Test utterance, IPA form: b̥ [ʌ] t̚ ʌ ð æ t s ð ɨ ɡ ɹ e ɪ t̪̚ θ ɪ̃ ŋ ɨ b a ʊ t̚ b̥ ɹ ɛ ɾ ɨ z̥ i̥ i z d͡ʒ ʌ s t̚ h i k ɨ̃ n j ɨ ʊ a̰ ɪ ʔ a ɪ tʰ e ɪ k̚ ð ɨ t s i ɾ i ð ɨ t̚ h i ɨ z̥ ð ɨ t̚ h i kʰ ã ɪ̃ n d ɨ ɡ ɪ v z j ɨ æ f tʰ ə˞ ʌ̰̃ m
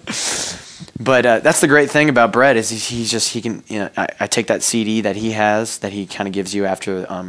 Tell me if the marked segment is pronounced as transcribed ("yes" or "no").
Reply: yes